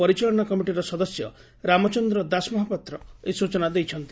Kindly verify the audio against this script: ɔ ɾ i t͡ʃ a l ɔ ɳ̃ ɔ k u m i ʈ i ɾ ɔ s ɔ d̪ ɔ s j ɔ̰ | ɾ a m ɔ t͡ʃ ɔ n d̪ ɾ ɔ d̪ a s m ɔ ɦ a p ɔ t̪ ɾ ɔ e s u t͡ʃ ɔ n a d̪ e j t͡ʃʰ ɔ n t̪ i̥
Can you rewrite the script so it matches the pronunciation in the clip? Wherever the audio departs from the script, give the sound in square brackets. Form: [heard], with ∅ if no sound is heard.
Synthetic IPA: ɔ ɾ i t͡ʃ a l ɔ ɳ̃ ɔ k [ɔ] m i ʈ i ɾ ɔ s ɔ d̪ ɔ s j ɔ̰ | ɾ a m ɔ t͡ʃ ɔ n d̪ ɾ ɔ d̪ a s m ɔ ɦ a p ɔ t̪ ɾ ɔ e s u t͡ʃ ɔ n a d̪ e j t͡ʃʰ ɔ n t̪ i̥

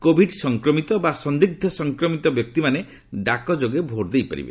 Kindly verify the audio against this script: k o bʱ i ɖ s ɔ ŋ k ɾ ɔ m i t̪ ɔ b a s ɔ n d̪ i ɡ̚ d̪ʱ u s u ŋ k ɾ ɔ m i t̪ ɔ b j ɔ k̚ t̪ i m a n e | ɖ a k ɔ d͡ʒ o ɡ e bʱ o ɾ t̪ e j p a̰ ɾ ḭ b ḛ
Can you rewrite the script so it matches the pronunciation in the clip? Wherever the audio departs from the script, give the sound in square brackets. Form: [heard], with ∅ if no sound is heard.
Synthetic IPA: k o bʱ i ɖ s ɔ ŋ k ɾ ɔ m i t̪ ɔ b a s ɔ n d̪ i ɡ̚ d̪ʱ [ɔ] s [ɔ] ŋ k ɾ ɔ m i t̪ ɔ b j ɔ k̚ t̪ i m a n e | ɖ a k ɔ d͡ʒ o ɡ e bʱ o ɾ [d̪] e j p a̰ ɾ ḭ b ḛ

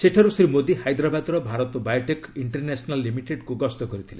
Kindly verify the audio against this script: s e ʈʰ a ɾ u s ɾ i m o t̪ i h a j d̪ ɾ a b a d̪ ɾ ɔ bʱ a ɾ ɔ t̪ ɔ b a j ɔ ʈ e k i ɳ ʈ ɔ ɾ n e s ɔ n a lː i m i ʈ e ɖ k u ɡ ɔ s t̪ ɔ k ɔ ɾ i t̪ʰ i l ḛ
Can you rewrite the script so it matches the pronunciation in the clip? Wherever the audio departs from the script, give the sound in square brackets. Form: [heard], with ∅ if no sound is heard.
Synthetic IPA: s e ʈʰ a ɾ u s ɾ i m o [d̪] i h a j d̪ ɾ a b a d̪ ɾ ɔ bʱ a ɾ ɔ t̪ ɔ b a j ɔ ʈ e k i ɳ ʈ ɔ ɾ n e s ɔ n a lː i m i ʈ e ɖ k u ɡ ɔ s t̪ ɔ k ɔ ɾ i t̪ʰ i l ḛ

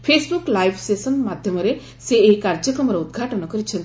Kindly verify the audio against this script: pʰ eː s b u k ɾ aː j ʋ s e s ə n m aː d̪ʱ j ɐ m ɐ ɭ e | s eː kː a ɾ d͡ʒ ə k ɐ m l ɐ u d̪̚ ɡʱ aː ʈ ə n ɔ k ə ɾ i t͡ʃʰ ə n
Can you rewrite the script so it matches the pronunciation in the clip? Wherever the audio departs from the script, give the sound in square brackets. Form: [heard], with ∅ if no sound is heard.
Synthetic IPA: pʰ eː s b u k [l] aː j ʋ s e s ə n m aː d̪ʱ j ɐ m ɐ [ɾ] e | s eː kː a ɾ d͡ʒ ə k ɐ m [ɾ] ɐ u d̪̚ ɡʱ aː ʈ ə n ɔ k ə ɾ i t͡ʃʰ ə n

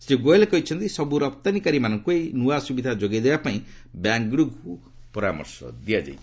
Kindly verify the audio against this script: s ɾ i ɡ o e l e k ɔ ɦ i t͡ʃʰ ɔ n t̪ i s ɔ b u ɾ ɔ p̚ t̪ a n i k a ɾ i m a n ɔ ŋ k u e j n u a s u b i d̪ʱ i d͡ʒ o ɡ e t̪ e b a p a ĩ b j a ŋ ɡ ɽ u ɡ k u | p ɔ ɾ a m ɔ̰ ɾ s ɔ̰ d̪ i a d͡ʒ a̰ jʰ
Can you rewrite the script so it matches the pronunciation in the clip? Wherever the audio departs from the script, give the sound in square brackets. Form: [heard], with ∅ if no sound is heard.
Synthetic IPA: s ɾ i ɡ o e l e k ɔ ɦ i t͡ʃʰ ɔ n t̪ i s ɔ b u ɾ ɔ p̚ t̪ a n i k a ɾ i m a n ɔ ŋ k u e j n u a s u b i d̪ʱ [a] d͡ʒ o ɡ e [d̪] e b a p a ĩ b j a ŋ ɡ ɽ u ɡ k u | p ɔ ɾ a m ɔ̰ ɾ s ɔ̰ d̪ i a d͡ʒ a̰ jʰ

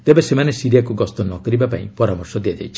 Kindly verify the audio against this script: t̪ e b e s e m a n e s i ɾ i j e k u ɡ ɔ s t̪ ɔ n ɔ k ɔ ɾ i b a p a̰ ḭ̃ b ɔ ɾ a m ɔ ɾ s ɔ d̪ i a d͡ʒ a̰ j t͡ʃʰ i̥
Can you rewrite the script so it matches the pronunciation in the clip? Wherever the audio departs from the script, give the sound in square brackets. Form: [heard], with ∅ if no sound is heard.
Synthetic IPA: t̪ e b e s e m a n e s i ɾ i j [a] k u ɡ ɔ s t̪ ɔ n ɔ k ɔ ɾ i b a p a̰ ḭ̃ [p] ɔ ɾ a m ɔ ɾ s ɔ d̪ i a d͡ʒ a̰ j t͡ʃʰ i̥

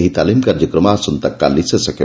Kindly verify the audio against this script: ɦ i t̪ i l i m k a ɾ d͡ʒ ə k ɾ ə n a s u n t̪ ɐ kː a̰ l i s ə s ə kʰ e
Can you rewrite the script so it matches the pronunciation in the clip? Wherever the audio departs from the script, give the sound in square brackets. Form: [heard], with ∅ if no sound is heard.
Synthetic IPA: ɦ i t̪ [a] l i m k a ɾ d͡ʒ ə k ɾ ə [m] a s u n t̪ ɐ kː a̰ l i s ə s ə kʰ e

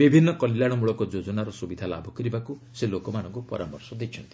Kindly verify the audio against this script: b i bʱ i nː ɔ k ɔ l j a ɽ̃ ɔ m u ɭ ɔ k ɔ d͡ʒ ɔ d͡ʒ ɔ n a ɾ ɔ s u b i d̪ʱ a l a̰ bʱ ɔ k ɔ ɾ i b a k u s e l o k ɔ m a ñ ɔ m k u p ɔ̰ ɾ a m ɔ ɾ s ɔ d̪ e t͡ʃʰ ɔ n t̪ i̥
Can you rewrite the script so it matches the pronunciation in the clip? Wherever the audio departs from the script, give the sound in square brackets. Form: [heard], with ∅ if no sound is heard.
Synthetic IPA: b i bʱ i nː ɔ k ɔ l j a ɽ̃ ɔ m u ɭ ɔ k ɔ d͡ʒ [o] d͡ʒ ɔ n a ɾ ɔ s u b i d̪ʱ a l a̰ bʱ ɔ k ɔ ɾ i b a k u s e l o k ɔ m a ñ ɔ [ŋ] k u p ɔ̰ ɾ a m ɔ ɾ s ɔ d̪ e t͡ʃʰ ɔ n t̪ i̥

